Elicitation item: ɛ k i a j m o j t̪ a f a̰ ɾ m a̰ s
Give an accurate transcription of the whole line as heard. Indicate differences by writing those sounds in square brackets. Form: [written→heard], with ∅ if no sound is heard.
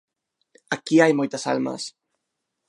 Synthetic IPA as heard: [ɛ→a] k i a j m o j t̪ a [f→s] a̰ [ɾ→l] m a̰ s